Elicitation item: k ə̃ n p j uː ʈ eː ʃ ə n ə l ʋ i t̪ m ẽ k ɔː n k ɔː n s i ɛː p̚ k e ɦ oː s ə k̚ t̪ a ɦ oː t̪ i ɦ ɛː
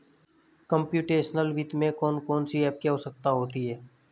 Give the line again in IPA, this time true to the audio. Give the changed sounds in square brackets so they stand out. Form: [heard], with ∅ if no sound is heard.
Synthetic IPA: k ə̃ [m] p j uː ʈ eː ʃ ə n ə l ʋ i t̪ m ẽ k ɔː n k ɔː n s i ɛː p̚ k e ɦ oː s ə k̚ t̪ a ɦ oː t̪ i ɦ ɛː